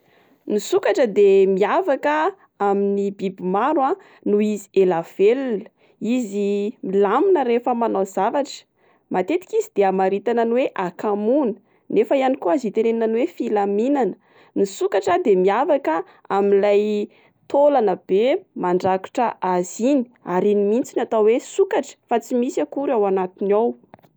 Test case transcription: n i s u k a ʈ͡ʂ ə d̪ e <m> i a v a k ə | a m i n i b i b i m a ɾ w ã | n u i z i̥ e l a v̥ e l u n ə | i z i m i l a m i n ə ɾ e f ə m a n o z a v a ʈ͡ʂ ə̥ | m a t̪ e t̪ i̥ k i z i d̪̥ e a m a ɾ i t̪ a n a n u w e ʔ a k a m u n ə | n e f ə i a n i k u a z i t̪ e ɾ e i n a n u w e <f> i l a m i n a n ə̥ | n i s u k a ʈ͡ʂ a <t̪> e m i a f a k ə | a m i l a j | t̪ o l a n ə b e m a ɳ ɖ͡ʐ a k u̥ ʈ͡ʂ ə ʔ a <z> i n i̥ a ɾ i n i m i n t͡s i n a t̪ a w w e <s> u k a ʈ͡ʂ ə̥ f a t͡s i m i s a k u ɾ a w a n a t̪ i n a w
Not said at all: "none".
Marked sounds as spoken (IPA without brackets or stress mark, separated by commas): m, f, d̪, z, s